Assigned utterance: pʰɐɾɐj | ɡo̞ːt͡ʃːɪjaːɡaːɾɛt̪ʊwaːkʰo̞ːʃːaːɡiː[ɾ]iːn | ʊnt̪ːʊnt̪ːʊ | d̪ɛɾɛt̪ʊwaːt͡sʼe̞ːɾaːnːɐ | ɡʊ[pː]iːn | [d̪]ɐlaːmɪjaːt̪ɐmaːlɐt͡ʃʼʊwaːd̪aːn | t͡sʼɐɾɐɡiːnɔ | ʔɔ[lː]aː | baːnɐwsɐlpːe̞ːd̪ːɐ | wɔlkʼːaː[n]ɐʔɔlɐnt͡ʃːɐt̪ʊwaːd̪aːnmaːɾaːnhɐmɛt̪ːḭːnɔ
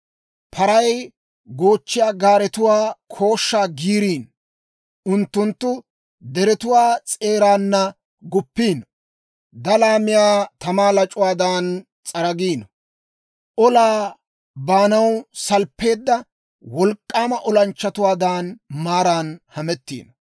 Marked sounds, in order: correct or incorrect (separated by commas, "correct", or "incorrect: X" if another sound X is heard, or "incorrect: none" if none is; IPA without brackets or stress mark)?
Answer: correct, correct, correct, incorrect: l, incorrect: m